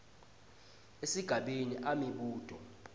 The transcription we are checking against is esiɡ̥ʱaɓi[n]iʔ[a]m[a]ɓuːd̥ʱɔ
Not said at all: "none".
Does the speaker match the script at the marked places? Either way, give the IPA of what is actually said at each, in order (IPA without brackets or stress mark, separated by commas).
n, a, i